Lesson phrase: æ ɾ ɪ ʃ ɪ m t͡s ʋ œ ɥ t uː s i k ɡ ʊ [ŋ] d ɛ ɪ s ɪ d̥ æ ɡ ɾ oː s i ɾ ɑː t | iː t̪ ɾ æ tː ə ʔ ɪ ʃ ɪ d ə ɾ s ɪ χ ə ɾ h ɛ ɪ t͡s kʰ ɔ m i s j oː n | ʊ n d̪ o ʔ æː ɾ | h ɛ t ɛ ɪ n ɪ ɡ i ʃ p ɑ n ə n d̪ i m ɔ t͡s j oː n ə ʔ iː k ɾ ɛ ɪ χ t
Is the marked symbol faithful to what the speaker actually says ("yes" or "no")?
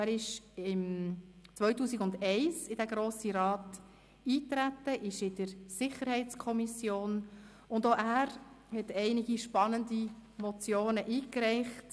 no